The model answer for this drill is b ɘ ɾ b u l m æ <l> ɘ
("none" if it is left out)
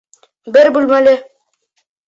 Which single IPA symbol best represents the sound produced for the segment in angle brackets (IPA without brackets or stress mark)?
l